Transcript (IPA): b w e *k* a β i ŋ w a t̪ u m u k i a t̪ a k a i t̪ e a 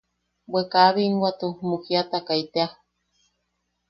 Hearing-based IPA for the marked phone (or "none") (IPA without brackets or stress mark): k